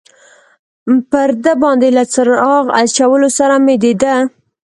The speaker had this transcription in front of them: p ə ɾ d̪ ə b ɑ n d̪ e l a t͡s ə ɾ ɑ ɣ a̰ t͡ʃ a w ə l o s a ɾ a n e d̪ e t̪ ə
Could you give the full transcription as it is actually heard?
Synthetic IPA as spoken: p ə ɾ d̪ ə b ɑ n d̪ e l a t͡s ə ɾ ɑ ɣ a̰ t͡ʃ a w ə l o s a ɾ a m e d̪ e d̪ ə

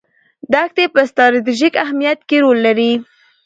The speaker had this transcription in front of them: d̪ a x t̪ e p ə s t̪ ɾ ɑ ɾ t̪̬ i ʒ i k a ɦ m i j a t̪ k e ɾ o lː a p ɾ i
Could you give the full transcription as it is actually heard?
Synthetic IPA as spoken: d̪ a x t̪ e p ə s t̪ ɾ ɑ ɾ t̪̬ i ʒ i k a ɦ m i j a t̪ k e ɾ o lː a ɾ i

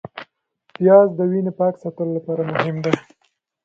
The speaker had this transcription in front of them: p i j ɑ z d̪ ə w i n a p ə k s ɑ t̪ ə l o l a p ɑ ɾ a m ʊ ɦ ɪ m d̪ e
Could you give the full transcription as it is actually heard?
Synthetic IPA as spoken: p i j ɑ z d̪ ə w i n e p ɑ k s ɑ t̪ ə l o l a p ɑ ɾ a m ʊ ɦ ɪ m d̪ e

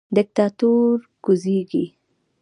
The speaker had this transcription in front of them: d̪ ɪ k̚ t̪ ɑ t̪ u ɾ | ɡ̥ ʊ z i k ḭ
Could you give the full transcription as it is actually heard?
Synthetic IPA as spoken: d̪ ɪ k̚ t̪ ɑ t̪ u ɾ | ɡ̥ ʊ z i ɡ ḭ

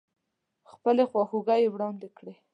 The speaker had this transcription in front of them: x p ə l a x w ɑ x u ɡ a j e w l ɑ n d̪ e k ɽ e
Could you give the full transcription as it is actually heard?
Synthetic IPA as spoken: x p ə l e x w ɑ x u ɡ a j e w ɽ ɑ n d̪ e k ɽ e

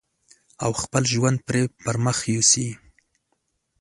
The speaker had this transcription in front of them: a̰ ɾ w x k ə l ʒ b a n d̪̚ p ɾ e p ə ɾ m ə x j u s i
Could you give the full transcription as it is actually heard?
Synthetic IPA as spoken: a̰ w x p ə l ʒ w a n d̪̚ p ɾ e p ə ɾ m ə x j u s i

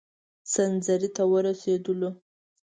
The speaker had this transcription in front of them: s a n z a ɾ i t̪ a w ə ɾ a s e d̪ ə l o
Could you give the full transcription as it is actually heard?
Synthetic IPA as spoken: s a n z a ɾ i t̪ a w ə ɾ a s e d̪ ə l o

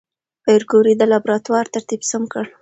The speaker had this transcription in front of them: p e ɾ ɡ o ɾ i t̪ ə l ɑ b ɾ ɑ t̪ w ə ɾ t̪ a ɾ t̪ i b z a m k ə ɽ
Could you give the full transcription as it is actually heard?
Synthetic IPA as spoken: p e ɾ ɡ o ɾ i d̪ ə l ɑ b ɾ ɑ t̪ w ɑ ɾ t̪ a ɾ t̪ i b s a m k ə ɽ

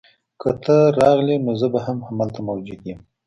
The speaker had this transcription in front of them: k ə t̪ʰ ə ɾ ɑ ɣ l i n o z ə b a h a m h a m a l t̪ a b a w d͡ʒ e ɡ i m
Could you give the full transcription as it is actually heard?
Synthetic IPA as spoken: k ə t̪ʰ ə ɾ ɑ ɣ l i n o z ə b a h a m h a m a l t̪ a m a w d͡ʒ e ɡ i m

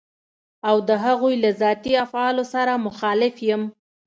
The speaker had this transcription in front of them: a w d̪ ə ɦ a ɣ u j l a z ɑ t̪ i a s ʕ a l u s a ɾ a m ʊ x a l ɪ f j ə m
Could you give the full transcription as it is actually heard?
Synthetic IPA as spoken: a w d̪ ə ɦ a ɣ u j l a z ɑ t̪ i a f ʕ ɑ l o s a ɾ a m ʊ x ɑ l ɪ f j ə m

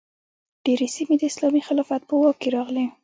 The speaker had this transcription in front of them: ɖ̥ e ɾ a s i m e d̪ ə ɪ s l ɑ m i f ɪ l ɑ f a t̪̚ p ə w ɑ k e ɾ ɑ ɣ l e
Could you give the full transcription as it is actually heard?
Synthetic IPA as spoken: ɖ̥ e ɾ e s i m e d̪ ə ɪ s l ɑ m i x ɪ l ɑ f a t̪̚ p ə w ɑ k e ɾ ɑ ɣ l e

